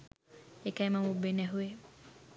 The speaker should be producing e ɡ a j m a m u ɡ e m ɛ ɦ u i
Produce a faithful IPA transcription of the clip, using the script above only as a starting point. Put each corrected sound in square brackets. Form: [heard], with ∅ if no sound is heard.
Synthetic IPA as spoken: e [k] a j m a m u [b] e [n] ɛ ɦ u [e]